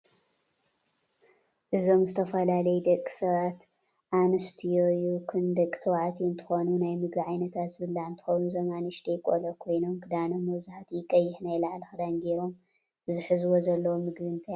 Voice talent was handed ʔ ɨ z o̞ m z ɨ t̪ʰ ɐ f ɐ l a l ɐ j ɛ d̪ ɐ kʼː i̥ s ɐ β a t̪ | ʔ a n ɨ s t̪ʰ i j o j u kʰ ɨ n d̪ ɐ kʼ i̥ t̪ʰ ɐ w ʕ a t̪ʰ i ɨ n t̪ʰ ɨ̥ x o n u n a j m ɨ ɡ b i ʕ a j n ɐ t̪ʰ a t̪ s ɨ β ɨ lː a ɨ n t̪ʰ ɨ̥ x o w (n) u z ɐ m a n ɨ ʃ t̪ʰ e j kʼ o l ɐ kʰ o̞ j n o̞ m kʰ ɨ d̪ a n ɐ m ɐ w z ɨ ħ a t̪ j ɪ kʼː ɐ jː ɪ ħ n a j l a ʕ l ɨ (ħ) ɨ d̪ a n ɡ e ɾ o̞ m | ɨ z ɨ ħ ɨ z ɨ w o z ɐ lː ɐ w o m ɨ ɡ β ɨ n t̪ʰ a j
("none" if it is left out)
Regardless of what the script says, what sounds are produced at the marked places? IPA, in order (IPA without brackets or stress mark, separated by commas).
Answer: n, x